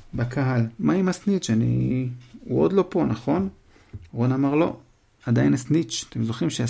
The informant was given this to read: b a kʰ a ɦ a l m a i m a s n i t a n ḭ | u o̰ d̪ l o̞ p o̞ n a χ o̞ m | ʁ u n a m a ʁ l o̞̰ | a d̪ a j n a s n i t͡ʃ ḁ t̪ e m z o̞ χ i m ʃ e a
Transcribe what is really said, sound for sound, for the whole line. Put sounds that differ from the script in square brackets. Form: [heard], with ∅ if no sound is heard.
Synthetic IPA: b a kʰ a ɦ a l m a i m a s n i [t͡ʃ] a n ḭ | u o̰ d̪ l o̞ p o̞ n a χ o̞ [n] | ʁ [o] n a m a ʁ l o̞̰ | a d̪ a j n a s n i t͡ʃ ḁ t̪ e m z o̞ χ i m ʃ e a